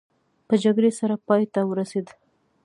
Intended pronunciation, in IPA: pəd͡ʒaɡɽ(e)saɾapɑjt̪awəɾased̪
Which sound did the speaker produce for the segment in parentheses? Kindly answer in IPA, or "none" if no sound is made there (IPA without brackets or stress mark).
e